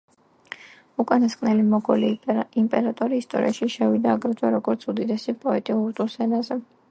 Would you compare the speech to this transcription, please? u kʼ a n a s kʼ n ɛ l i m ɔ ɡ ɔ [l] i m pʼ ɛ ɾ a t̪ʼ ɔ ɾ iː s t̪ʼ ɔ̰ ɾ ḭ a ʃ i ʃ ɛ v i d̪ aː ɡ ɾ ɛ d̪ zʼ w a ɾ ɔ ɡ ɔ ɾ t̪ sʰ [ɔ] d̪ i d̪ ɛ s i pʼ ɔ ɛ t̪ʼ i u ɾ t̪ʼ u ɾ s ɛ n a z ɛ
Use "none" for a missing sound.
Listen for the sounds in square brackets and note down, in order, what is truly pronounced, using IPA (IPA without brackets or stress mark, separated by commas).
l, u